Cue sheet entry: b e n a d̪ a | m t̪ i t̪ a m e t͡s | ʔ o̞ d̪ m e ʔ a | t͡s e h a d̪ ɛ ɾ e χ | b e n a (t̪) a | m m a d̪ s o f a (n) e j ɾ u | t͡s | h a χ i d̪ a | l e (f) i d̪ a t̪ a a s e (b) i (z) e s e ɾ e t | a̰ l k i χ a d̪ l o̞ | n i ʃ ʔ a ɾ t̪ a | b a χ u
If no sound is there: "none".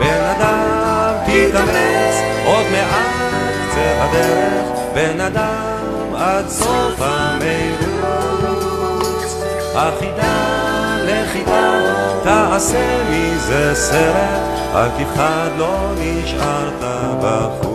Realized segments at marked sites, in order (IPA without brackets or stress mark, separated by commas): d̪, m, χ, m, z